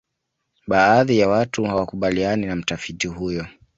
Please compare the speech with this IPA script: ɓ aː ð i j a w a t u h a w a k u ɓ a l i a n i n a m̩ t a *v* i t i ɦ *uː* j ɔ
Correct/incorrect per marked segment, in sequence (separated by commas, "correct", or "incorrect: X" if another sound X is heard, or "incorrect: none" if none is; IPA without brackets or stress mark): incorrect: f, incorrect: u